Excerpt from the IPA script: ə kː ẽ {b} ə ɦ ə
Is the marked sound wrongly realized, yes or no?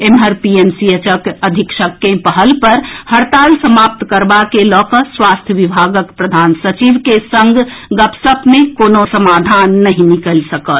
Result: yes